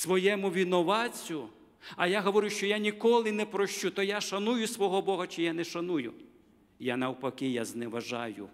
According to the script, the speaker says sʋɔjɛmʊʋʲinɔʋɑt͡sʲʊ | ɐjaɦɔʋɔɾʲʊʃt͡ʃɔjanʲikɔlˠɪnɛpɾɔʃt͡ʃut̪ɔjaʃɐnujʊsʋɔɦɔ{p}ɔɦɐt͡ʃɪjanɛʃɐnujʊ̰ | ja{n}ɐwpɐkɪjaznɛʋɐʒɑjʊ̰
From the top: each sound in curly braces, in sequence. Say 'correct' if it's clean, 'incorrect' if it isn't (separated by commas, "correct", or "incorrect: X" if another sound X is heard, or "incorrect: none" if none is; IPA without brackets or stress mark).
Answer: incorrect: b, correct